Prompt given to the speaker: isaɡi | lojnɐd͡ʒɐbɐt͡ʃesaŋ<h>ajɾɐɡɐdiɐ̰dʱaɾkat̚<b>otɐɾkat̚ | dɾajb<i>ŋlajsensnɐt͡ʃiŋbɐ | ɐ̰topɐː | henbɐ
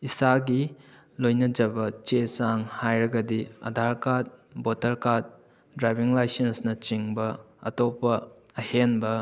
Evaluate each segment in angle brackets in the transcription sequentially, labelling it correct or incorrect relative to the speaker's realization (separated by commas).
correct, correct, correct